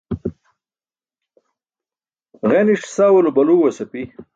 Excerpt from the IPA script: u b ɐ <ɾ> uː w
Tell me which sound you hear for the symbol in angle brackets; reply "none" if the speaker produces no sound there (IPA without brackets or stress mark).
l